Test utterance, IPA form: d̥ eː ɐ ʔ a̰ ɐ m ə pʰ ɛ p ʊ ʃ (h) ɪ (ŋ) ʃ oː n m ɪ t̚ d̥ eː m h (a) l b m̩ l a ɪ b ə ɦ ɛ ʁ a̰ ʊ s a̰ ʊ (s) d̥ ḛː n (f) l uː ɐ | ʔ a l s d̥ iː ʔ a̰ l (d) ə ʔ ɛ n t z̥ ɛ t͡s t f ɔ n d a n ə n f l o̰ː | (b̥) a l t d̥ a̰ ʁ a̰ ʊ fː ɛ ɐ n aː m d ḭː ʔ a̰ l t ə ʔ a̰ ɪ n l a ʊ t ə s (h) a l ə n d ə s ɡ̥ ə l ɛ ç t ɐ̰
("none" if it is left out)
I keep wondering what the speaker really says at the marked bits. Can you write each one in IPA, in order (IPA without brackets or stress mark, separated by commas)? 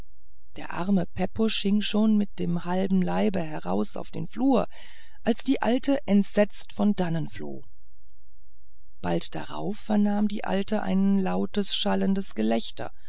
h, ŋ, a, f, f, t, b̥, ʃ